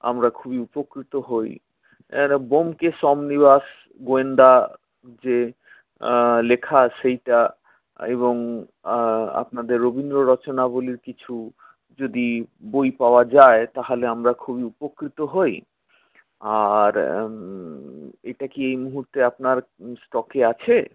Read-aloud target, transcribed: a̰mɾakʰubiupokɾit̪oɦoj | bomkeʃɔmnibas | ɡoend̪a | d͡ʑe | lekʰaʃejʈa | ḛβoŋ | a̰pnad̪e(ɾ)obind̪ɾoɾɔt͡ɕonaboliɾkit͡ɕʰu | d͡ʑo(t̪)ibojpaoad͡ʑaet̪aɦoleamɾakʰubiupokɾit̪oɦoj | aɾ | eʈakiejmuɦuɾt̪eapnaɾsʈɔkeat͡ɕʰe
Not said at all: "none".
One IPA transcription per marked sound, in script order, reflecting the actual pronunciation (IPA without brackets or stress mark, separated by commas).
ɾː, d̪